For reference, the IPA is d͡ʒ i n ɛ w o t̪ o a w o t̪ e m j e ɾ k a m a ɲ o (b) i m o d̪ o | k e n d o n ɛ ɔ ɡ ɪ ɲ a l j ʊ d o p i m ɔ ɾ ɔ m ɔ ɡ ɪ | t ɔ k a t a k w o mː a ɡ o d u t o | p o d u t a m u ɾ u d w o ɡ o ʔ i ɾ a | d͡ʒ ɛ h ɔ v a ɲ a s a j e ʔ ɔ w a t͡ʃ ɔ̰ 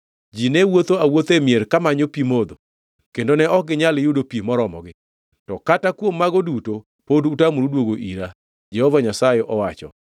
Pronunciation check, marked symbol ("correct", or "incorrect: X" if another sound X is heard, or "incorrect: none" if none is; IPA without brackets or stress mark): incorrect: p